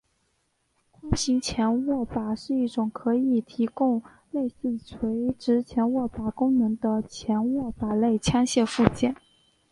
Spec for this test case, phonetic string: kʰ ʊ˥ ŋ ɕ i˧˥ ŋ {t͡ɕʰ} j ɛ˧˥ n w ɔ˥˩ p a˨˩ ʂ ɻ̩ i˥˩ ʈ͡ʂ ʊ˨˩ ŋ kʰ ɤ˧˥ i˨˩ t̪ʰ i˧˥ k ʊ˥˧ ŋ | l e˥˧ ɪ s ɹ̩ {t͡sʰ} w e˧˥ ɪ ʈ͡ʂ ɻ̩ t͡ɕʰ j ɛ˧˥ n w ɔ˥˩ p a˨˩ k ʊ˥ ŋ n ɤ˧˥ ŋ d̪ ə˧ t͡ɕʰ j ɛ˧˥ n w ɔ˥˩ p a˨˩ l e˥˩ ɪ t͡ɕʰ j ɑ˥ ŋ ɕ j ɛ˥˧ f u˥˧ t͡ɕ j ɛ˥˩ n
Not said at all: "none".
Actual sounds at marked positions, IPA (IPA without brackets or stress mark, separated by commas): t͡ɕʰ, t͡sʰ